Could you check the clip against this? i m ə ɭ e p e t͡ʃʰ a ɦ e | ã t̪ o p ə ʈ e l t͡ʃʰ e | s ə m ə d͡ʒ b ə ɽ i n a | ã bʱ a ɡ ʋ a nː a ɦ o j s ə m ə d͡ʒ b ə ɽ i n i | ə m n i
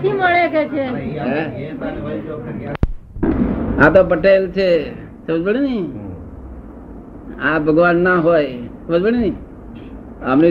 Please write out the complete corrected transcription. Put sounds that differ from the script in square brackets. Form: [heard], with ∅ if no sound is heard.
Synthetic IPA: i m ə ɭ e [k] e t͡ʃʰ [e] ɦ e | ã t̪ o p ə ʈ e l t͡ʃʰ e | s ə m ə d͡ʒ b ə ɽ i n [i] | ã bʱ [ə] ɡ ʋ a nː a ɦ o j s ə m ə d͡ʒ b ə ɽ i n i | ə m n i